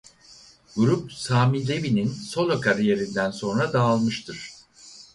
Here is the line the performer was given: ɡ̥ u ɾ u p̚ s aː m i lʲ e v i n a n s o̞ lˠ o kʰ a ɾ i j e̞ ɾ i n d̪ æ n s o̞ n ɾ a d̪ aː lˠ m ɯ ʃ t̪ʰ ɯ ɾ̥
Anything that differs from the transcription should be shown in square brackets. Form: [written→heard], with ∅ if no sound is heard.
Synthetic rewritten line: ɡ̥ u ɾ u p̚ s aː m i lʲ e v i n [a→i] n s o̞ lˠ o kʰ a ɾ i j e̞ ɾ i n d̪ æ n s o̞ n ɾ a d̪ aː lˠ m ɯ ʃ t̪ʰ ɯ ɾ̥

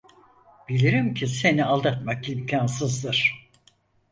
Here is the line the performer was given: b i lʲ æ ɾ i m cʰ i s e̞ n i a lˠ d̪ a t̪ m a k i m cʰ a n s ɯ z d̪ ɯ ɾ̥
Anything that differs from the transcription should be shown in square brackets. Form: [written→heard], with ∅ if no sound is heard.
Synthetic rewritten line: b i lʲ [æ→i] ɾ i m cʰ i s e̞ n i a lˠ d̪ a t̪ m a k i m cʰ a n s ɯ z d̪ ɯ ɾ̥

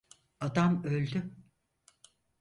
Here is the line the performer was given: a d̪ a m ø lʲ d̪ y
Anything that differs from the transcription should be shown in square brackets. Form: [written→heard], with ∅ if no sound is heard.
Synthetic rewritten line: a d̪ a m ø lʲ d̪ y

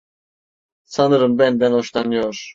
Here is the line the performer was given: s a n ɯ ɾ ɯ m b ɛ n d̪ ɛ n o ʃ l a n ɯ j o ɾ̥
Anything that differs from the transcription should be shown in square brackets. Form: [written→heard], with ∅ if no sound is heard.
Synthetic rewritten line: s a n ɯ ɾ ɯ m b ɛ n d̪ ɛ n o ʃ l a n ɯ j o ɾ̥

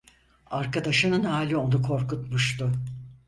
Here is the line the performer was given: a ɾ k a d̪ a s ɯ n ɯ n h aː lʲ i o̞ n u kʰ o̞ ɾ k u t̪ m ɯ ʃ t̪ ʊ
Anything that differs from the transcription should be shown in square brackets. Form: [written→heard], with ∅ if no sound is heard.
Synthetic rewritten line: a ɾ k a d̪ a [s→ʃ] ɯ n ɯ n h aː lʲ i o̞ n u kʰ o̞ ɾ k u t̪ m [ɯ→u] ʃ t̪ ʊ

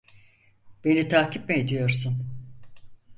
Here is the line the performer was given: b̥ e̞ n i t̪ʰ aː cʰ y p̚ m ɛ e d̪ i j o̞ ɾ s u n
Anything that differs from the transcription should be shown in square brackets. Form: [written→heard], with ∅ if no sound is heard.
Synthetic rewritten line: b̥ e̞ n i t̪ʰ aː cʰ [y→i] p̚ m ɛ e d̪ i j o̞ ɾ s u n

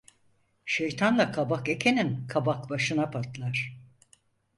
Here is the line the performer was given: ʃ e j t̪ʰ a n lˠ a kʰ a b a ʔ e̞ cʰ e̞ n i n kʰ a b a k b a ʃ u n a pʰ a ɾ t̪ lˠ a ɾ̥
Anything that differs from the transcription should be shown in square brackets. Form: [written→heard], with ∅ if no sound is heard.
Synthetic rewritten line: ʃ e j t̪ʰ a n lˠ a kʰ a b a [ʔ→k] e̞ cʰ e̞ n i n kʰ a b a k b a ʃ [u→ɯ] n a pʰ a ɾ t̪ lˠ a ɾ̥

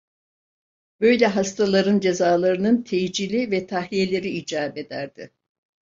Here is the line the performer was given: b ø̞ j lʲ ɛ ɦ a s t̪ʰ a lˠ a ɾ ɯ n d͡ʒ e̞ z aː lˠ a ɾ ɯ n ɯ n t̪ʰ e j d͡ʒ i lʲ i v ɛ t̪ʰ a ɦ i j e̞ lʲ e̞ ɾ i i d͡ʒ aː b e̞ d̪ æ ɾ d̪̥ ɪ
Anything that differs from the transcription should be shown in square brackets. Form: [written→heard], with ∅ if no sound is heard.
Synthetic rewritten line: b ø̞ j lʲ ɛ ɦ a s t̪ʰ a lˠ a ɾ ɯ n d͡ʒ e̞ z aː lˠ a ɾ ɯ n ɯ n t̪ʰ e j d͡ʒ i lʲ i v ɛ t̪ʰ a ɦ i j e̞ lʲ e̞ ɾ i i d͡ʒ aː b e̞ d̪ æ ɾ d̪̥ ɪ

